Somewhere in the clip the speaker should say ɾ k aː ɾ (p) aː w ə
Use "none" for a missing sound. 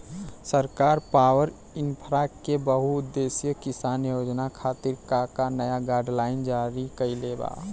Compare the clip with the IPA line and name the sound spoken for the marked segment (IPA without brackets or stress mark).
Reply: p